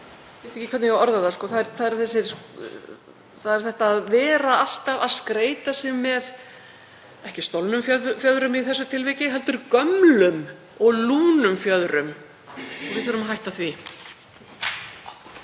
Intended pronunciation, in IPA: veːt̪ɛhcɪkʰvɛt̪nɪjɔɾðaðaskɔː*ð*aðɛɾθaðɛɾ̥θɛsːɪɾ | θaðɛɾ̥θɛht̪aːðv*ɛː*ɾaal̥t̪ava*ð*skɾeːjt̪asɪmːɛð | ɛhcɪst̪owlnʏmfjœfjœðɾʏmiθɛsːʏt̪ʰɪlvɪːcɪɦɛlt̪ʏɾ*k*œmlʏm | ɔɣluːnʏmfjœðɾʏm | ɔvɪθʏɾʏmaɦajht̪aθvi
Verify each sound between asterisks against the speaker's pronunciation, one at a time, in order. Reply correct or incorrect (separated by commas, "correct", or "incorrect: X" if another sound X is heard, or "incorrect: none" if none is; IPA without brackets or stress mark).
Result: incorrect: θ, correct, correct, correct